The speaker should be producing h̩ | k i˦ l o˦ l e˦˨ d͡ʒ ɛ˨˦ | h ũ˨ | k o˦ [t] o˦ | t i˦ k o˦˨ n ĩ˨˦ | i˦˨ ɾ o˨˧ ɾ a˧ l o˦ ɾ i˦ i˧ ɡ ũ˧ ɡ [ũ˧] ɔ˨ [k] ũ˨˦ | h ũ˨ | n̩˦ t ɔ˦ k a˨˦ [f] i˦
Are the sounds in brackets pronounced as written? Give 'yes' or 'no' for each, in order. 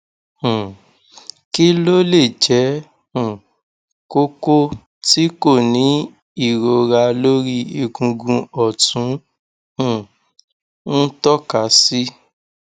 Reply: no, yes, no, no

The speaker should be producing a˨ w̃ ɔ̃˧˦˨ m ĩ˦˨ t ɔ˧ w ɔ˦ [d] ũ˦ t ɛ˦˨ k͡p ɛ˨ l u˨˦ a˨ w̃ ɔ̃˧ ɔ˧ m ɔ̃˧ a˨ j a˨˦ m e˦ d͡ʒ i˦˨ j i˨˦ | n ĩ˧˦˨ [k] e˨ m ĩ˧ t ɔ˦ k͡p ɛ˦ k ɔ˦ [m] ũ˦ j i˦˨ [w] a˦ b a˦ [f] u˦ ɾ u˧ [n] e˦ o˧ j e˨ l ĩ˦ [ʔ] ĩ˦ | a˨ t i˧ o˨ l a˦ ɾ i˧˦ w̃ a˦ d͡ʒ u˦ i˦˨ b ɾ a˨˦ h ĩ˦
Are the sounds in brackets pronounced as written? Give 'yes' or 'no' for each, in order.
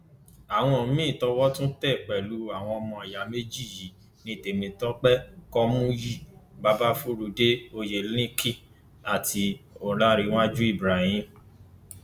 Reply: no, no, yes, no, yes, no, no

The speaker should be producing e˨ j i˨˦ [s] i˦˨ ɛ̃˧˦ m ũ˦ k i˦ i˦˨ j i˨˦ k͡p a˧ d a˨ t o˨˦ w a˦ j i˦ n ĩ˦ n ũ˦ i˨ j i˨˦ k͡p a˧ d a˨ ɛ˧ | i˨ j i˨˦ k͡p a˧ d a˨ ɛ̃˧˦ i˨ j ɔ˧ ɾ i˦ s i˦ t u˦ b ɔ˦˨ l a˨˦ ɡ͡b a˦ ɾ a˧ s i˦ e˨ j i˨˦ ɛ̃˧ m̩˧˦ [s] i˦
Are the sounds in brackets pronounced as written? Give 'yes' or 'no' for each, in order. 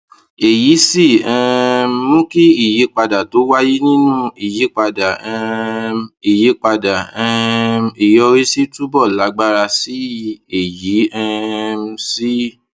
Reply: yes, yes

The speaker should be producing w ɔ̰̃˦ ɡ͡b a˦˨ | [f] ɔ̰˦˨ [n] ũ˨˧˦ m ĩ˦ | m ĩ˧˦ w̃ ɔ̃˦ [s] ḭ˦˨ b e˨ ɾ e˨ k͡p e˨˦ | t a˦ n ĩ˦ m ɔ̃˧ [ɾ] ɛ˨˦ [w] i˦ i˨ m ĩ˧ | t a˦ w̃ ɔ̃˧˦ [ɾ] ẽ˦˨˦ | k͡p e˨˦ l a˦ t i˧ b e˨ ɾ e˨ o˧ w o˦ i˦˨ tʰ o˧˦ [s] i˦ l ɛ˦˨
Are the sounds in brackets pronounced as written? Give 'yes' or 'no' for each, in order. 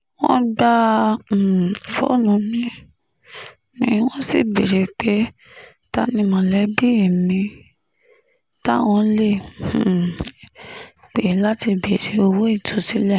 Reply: yes, yes, yes, no, no, no, yes

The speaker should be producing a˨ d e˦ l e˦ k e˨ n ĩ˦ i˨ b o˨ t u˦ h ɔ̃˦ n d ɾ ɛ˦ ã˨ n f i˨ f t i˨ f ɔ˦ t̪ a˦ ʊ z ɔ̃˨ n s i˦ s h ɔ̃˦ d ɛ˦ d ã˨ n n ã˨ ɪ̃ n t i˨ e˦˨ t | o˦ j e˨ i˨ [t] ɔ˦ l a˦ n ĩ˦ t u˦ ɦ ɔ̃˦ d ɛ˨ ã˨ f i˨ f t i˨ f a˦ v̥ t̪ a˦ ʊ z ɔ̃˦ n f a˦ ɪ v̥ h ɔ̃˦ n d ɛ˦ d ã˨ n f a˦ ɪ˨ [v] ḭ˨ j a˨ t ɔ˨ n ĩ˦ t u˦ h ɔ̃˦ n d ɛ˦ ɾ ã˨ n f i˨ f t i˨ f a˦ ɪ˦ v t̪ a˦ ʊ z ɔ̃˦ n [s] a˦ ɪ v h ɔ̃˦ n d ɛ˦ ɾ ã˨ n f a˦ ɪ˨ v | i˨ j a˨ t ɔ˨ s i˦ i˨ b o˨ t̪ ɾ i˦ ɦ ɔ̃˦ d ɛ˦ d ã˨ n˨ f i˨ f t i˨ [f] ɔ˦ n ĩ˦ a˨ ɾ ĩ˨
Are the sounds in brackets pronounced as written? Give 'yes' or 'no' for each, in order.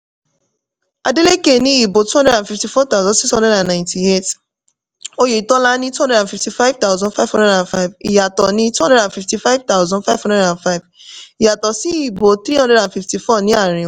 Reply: yes, yes, no, yes

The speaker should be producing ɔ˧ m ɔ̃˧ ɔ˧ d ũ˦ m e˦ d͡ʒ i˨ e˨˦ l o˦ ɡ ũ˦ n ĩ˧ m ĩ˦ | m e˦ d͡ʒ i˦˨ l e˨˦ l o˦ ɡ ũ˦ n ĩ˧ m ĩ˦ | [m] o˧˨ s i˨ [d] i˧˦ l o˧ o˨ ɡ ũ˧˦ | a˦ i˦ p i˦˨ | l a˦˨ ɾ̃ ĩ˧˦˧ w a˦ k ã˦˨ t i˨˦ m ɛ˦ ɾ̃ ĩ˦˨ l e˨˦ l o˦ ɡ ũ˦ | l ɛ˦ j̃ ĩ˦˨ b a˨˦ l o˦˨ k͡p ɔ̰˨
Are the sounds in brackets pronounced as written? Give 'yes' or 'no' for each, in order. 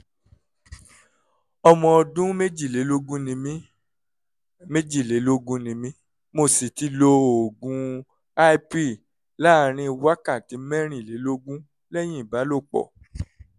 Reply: yes, no

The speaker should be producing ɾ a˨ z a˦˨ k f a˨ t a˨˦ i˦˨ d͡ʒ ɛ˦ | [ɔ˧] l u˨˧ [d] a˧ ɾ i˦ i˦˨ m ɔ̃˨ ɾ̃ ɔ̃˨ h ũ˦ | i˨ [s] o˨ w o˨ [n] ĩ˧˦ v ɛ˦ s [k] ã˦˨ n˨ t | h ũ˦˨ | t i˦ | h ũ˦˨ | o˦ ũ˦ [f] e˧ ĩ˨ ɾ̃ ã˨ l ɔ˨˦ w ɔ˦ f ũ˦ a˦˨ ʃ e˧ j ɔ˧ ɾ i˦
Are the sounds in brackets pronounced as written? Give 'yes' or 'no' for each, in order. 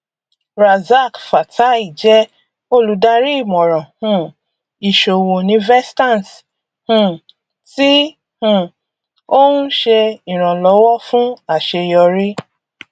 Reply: no, yes, no, yes, no, no

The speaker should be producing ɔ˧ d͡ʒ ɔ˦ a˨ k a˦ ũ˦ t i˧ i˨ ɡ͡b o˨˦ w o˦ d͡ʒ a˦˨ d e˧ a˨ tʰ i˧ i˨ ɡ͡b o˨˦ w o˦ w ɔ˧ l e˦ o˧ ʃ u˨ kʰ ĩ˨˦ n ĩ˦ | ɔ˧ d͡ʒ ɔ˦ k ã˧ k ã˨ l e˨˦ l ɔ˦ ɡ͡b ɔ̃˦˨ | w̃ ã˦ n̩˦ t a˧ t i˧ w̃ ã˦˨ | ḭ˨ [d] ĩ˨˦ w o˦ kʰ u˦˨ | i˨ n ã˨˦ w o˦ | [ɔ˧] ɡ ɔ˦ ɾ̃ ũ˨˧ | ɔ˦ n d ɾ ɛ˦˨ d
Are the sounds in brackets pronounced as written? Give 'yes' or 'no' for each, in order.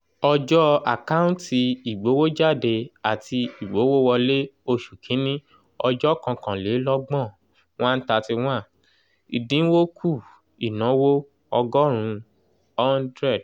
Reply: yes, yes

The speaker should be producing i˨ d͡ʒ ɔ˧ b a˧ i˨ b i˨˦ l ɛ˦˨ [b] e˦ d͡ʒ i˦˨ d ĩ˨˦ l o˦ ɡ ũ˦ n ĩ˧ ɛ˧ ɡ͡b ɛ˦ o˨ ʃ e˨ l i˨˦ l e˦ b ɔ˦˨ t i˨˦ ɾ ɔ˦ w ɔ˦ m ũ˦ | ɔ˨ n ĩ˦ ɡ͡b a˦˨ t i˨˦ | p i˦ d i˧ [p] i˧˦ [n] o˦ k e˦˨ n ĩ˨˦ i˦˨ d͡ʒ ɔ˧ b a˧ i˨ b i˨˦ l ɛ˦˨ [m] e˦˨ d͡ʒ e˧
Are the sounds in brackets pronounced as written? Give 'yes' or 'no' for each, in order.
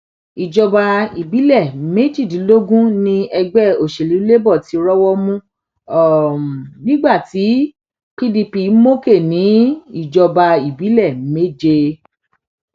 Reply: no, yes, no, yes

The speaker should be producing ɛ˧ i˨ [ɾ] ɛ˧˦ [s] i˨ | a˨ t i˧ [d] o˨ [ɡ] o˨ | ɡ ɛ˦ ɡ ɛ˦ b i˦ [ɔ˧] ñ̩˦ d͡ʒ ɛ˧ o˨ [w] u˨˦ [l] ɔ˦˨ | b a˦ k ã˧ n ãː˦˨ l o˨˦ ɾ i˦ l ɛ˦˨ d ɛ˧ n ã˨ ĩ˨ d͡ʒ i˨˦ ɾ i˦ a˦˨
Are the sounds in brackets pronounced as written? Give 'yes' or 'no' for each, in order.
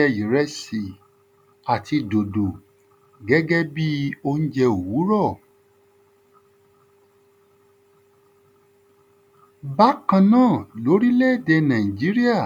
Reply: yes, yes, yes, no, no, yes, no

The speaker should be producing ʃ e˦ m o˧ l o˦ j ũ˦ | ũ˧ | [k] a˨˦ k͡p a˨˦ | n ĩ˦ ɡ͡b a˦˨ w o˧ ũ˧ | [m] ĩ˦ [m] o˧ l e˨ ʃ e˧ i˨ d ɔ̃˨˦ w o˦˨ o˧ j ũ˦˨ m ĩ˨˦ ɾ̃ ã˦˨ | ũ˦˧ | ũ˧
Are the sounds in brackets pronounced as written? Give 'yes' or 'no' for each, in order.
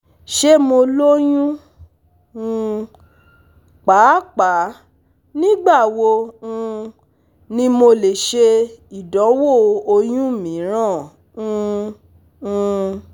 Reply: no, no, yes

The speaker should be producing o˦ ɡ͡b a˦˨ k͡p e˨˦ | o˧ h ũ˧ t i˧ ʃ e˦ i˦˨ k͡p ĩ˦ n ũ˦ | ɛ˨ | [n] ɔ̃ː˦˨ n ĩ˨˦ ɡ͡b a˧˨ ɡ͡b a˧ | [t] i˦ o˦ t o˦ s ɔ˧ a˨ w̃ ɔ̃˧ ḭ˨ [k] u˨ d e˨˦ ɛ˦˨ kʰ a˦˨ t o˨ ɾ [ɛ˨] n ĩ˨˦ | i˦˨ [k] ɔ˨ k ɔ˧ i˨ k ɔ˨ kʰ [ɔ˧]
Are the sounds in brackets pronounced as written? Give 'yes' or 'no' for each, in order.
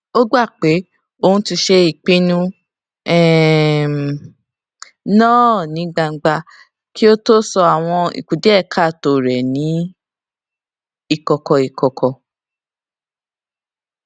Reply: yes, no, yes, yes, yes, yes

